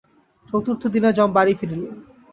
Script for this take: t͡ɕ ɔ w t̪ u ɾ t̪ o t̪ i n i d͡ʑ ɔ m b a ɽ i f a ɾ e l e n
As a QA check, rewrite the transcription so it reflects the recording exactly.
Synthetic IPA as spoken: t͡ɕ o w t̪ u ɾ t̪ʰ o d̪ i n a d͡ʑ ɔ m b a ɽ i f i ɾ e l e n

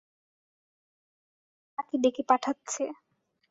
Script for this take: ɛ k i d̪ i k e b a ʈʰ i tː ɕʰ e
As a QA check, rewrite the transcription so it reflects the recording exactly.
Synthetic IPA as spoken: a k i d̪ e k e p a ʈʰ a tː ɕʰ e

